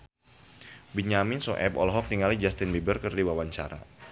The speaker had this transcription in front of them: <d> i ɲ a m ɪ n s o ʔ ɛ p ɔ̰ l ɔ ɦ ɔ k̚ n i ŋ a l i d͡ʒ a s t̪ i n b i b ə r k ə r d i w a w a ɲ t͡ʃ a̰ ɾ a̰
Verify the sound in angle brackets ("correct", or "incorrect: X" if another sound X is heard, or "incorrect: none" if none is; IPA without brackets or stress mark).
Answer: incorrect: b